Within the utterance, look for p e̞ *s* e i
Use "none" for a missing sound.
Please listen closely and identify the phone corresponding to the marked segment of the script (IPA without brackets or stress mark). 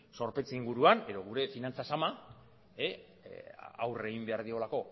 t͡s